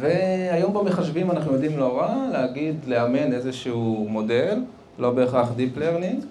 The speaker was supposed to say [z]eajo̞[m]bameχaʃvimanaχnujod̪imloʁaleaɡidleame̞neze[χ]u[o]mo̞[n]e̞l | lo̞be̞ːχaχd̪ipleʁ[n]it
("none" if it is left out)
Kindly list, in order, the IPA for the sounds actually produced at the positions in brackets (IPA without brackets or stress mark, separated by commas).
v, m, ʃ, u, d, n